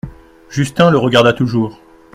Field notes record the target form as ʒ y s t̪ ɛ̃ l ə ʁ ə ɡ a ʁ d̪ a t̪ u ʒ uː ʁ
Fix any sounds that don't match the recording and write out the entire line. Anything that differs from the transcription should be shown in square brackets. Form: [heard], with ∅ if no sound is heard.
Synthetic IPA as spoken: ʒ y s t̪ ɛ̃ l ə ʁ ə ɡ a ʁ d̪ a t̪ u ʒ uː ʁ